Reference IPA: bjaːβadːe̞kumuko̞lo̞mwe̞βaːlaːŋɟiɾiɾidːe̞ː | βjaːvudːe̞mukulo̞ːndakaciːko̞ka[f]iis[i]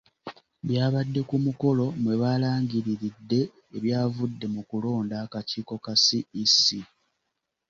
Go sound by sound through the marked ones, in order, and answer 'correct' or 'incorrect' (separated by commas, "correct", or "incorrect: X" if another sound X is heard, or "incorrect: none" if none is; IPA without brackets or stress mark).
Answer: incorrect: s, correct